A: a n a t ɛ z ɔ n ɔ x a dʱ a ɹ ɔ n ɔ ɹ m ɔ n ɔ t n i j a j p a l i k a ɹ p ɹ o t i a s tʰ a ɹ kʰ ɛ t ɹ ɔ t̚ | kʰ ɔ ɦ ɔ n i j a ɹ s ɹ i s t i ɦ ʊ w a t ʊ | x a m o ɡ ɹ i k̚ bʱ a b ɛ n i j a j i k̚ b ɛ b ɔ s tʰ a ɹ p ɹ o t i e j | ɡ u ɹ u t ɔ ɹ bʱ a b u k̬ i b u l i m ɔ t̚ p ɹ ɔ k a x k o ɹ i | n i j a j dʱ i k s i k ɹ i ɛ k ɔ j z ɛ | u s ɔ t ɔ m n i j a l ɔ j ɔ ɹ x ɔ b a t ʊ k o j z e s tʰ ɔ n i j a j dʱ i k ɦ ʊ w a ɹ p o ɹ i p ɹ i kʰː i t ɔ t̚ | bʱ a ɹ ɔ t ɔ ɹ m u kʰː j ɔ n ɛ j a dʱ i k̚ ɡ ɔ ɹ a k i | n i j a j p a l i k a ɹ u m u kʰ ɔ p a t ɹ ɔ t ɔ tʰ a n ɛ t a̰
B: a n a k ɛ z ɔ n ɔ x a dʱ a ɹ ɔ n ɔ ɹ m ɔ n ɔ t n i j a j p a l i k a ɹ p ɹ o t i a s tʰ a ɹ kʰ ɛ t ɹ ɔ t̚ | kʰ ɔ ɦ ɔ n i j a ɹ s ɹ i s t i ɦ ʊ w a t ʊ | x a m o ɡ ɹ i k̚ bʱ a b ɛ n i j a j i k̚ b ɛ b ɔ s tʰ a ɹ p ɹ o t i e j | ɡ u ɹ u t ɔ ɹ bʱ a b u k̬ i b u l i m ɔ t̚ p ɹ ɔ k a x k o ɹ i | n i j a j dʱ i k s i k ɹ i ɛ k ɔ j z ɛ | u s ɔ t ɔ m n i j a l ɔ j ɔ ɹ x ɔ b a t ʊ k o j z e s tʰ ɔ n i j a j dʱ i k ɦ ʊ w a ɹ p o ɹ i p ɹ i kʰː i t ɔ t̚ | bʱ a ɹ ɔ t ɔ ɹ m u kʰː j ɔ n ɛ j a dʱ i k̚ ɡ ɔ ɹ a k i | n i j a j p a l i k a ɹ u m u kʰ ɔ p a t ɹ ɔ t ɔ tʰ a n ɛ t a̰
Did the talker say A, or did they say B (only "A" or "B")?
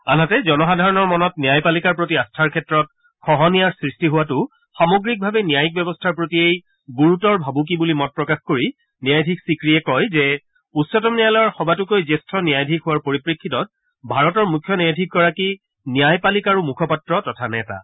A